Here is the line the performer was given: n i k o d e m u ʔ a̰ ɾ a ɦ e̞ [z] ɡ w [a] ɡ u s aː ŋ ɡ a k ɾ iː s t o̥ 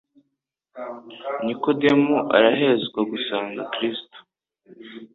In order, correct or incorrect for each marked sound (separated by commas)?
correct, correct